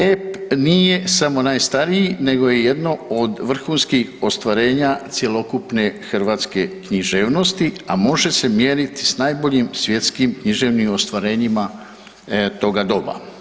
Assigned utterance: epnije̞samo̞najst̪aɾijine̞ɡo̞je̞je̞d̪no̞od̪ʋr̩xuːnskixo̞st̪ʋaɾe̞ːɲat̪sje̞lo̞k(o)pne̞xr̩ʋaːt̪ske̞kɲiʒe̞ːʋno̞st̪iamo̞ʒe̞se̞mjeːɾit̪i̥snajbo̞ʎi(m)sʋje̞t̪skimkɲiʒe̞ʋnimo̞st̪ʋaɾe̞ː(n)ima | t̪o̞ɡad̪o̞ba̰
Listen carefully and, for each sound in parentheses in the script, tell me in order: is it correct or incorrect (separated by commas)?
incorrect, correct, incorrect